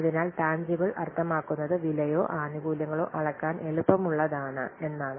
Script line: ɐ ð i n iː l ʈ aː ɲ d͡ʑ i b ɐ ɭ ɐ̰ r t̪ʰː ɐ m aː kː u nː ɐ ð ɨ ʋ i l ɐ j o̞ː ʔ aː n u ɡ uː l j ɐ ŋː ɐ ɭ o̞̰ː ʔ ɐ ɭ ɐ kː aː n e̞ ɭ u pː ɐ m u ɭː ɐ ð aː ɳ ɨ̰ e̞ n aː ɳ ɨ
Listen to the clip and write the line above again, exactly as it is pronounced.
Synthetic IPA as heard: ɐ ð i n aː l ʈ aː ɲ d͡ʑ i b ɐ ɭ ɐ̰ r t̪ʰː ɐ m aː kː u nː ɐ ð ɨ ʋ i l ɐ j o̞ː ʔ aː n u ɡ uː l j ɐ ŋː ɐ ɭ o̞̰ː ʔ ɐ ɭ ɐ kː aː n e̞ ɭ u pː ɐ m u ɭː ɐ ð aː ɳ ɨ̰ e̞ nː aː ɳ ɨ